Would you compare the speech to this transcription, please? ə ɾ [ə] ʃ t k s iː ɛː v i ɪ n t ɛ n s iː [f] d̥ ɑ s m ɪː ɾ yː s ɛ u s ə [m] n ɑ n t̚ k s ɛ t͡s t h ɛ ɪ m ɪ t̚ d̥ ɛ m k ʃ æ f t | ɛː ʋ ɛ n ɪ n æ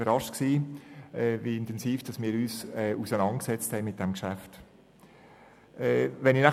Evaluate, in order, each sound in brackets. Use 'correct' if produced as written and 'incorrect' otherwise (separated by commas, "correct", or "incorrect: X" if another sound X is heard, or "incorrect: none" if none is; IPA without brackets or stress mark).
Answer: incorrect: ɑ, correct, incorrect: none